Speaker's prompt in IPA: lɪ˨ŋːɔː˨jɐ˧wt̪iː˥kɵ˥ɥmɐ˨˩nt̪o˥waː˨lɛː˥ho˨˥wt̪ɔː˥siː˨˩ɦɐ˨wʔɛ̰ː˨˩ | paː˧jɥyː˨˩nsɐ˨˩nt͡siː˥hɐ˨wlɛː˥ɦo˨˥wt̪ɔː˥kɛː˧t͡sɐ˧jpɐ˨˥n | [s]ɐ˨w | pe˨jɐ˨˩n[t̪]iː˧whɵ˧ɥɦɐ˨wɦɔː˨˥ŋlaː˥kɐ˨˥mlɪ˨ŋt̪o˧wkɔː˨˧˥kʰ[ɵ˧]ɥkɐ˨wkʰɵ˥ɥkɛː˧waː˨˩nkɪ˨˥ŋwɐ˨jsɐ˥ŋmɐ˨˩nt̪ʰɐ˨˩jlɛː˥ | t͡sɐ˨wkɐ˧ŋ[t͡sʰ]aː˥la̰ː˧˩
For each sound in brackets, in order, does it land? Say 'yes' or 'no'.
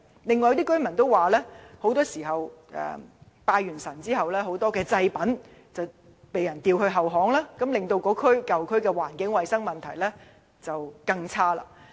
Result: no, yes, no, yes

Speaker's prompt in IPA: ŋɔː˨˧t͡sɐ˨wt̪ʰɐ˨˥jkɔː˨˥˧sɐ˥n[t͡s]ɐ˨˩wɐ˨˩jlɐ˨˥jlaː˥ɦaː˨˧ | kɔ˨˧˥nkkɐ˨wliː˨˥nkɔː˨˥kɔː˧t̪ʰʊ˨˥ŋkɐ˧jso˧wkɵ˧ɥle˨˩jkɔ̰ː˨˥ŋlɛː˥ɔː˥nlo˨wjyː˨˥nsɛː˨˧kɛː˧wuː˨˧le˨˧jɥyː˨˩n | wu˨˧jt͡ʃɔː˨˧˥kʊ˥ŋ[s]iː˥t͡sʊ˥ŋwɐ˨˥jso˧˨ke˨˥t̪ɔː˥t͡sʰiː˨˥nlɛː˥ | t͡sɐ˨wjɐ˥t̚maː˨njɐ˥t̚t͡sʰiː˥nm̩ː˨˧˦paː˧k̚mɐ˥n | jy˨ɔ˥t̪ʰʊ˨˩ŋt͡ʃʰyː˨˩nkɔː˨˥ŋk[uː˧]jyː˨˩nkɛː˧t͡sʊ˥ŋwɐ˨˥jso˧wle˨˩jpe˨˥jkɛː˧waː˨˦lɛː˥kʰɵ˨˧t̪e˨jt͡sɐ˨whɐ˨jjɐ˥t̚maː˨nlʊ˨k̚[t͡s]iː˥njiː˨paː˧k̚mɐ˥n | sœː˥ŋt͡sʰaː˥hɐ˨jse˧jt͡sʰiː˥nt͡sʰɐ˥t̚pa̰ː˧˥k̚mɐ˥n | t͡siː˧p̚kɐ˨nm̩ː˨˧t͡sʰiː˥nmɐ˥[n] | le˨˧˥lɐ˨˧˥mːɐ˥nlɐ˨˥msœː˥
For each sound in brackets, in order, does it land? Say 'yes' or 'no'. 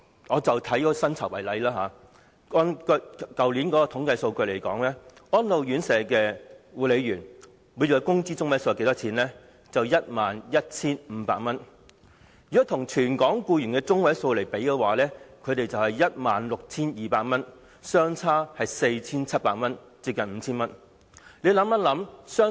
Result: no, no, yes, no, yes

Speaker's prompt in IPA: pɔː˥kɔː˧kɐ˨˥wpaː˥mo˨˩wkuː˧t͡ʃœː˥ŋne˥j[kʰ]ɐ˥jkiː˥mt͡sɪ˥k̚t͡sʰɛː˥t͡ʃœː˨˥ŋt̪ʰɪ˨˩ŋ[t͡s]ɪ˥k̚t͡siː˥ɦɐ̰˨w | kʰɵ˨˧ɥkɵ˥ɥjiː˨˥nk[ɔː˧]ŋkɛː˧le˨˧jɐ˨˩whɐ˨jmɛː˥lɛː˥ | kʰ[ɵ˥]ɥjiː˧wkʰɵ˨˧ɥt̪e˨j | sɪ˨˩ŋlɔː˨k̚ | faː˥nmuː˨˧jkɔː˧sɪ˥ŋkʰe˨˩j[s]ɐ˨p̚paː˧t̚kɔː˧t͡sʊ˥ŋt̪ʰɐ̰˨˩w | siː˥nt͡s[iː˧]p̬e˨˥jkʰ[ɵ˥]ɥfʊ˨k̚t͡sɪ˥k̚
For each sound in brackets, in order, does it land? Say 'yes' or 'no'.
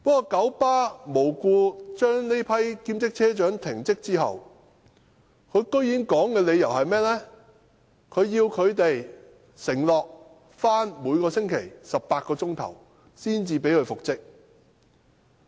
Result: no, yes, no, no, yes, yes, no

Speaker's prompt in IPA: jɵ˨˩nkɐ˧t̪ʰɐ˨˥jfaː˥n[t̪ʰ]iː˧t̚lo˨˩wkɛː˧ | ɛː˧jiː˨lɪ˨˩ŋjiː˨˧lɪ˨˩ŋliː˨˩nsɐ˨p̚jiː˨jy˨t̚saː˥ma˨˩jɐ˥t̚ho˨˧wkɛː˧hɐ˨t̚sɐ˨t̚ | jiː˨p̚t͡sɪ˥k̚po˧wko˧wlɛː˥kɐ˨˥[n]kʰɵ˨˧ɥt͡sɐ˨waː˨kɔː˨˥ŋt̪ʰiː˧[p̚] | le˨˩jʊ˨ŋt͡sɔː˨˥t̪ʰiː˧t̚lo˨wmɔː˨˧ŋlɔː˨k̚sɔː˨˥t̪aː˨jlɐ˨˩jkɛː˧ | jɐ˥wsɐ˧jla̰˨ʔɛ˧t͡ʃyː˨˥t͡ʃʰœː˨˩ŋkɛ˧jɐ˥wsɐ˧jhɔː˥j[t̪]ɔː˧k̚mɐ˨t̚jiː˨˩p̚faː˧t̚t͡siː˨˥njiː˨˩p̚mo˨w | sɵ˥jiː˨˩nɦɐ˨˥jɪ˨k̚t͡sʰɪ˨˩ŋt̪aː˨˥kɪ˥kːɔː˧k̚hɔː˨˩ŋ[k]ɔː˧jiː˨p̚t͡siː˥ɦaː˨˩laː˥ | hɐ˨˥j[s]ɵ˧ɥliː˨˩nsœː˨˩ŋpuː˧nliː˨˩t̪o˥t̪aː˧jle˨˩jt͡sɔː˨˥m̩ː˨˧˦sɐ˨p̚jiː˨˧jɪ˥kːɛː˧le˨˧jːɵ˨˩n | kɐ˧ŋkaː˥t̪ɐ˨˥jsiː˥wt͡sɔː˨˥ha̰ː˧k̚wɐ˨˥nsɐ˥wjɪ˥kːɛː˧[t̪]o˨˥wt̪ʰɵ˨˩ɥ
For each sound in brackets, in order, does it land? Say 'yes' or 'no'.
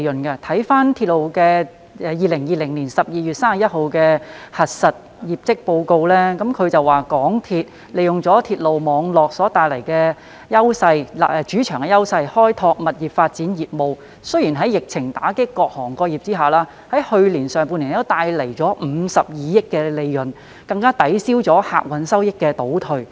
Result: yes, no, no, no, yes, no, yes

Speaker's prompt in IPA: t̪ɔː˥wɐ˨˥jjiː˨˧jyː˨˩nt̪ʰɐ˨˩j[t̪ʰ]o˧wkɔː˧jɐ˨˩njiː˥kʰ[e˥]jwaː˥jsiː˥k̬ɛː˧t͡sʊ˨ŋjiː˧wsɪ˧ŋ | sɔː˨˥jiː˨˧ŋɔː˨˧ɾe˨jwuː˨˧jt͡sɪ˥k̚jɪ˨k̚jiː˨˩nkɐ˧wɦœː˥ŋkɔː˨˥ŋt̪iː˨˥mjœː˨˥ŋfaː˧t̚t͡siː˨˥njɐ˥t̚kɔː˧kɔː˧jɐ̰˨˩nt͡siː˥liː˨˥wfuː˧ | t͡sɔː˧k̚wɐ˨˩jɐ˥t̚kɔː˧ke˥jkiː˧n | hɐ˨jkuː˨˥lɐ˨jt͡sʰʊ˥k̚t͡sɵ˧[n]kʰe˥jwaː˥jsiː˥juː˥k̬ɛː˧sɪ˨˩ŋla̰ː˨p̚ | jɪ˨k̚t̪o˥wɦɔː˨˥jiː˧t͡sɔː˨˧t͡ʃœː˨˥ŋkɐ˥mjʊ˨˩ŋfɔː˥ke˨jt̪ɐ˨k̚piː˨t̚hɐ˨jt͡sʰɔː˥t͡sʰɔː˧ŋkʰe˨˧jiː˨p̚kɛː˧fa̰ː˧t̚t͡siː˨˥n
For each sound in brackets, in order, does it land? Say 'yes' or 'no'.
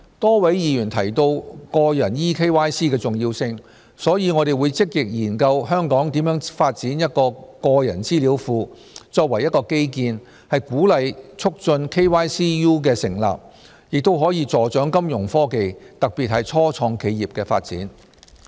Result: no, yes, yes

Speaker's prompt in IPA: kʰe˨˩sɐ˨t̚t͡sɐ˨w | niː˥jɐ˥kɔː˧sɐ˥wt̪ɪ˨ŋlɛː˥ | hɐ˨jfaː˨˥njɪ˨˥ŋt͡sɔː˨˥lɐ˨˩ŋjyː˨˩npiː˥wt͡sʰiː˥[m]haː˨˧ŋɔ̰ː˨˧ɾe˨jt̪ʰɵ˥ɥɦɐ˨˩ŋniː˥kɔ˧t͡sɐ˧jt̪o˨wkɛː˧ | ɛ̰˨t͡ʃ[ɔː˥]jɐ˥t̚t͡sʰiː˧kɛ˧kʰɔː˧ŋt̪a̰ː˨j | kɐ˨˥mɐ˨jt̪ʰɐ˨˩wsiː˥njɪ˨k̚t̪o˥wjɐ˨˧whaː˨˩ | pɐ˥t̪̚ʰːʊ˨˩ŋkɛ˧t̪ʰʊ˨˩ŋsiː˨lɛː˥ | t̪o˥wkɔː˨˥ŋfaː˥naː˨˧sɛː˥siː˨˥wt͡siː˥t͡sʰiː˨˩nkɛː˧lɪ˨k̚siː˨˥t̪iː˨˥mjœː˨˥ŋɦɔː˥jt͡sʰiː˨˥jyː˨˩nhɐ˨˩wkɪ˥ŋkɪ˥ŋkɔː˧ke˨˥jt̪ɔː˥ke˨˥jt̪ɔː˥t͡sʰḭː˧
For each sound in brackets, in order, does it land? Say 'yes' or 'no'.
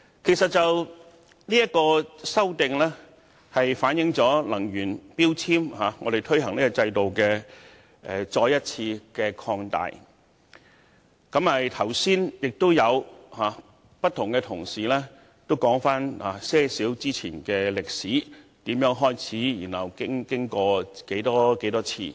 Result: yes, no

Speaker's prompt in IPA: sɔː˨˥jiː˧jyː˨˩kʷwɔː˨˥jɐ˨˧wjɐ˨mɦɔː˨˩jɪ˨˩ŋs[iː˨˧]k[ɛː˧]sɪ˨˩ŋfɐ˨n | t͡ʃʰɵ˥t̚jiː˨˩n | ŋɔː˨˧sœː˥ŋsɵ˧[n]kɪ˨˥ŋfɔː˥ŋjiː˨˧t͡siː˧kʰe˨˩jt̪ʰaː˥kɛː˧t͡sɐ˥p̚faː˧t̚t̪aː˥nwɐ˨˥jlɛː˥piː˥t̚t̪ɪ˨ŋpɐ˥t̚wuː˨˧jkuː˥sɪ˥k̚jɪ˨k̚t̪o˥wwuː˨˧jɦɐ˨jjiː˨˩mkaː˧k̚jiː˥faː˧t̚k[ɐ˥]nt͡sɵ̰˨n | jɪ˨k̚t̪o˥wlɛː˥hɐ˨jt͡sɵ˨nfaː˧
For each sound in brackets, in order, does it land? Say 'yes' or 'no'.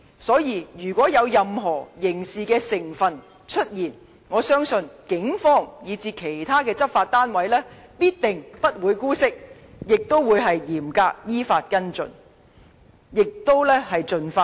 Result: yes, yes, yes, yes

